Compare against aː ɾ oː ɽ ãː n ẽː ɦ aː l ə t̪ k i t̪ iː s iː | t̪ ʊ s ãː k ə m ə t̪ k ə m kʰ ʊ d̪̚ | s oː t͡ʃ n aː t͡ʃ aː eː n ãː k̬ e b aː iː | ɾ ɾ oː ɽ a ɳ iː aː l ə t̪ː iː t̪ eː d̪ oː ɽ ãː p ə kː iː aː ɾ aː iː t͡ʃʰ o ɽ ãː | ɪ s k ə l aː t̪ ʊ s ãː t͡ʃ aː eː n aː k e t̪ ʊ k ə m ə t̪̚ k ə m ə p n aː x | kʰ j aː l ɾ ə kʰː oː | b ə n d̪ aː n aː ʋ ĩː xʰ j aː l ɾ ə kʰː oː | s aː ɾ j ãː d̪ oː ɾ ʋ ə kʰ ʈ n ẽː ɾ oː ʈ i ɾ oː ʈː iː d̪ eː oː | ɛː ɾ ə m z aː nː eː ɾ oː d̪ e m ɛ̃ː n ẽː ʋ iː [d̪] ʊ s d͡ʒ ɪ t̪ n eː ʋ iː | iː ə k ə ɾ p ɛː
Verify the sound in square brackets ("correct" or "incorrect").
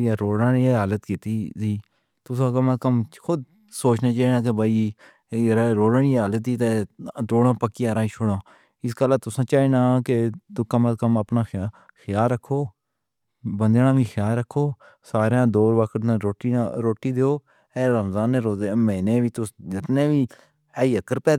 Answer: incorrect